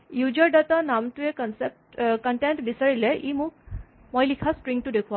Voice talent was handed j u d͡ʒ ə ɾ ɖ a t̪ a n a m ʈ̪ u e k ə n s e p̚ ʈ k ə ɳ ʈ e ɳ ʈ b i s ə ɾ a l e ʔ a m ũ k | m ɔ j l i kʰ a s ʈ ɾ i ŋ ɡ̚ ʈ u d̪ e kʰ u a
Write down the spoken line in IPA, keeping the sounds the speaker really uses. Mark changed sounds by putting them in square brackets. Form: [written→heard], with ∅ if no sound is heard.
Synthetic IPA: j u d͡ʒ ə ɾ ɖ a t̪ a n a m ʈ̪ u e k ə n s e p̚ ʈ k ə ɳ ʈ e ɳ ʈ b i s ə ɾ [a→i] l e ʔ [a→i] m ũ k | m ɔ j l i kʰ a s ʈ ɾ i ŋ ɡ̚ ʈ u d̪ e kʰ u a